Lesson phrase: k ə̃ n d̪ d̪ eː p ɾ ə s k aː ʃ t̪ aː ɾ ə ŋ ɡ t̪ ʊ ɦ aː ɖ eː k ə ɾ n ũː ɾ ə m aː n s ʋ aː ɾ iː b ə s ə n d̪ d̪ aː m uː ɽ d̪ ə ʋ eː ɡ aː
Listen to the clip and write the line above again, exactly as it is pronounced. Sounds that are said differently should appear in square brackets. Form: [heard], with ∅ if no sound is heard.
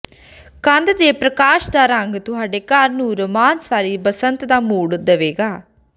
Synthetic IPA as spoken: k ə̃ n d̪ d̪ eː p ɾ ə [∅] k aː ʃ [d̪] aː ɾ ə ŋ ɡ t̪ ʊ ɦ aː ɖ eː k ə ɾ n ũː ɾ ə m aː n s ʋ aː ɾ iː b ə s ə n [t̪] d̪ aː m uː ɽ d̪ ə ʋ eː ɡ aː